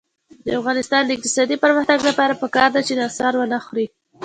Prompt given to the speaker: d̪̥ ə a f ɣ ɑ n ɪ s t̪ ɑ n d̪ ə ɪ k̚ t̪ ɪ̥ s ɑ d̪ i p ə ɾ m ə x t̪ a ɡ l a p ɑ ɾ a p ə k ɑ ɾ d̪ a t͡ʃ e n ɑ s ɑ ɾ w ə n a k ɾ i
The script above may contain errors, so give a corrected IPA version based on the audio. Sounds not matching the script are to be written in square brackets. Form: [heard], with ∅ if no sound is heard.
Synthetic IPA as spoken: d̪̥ ə a f ɣ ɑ n ɪ s t̪ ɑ n d̪ ə ɪ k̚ t̪ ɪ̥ s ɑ d̪ i p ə ɾ m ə x t̪ a ɡ l a p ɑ ɾ a p ə k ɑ ɾ d̪ a t͡ʃ e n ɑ s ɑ ɾ w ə n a [x] ɾ i